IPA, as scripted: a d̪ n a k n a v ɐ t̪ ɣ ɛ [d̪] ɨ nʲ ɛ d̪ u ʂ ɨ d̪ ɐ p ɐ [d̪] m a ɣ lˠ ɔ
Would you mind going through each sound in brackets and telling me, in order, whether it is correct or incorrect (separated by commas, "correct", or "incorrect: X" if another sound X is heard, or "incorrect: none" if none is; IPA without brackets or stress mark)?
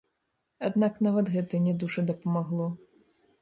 incorrect: t̪, incorrect: none